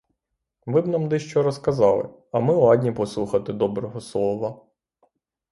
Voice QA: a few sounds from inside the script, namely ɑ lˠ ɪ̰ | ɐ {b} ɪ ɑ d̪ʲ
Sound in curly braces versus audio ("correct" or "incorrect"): incorrect